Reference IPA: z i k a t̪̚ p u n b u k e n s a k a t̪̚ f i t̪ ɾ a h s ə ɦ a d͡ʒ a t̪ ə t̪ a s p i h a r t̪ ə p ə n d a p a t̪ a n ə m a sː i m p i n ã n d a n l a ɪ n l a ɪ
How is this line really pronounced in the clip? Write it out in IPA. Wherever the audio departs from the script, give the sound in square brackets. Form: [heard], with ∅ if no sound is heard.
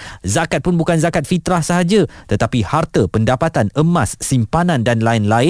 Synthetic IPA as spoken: z [a] k a t̪̚ p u n b u k [a] n [z] a k a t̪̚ f i t̪ ɾ a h s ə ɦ a d͡ʒ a t̪ ə t̪ a [∅] p i h a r t̪ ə p ə n d a p a t̪ a n ə m a sː i m p [a] n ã n d a n l a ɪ n l a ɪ